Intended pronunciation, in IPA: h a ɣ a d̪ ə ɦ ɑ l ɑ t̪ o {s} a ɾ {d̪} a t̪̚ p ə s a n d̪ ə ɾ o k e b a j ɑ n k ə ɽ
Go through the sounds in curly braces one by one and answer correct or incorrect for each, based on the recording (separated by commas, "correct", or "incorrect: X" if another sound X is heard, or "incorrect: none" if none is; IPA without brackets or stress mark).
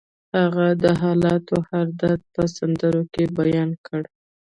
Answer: incorrect: h, correct